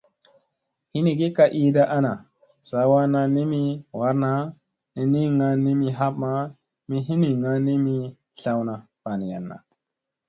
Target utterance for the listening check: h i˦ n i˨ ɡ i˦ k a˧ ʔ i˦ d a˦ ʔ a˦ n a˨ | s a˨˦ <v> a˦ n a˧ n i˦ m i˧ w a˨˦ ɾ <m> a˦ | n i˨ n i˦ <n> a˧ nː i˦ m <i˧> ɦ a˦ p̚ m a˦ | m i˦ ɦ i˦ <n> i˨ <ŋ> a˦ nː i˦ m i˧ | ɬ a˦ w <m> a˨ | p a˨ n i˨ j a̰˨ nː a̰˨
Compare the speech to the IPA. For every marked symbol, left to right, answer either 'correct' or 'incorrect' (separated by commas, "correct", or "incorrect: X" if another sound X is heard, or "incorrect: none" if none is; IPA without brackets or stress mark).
incorrect: w, incorrect: n, incorrect: ŋ, correct, correct, correct, incorrect: n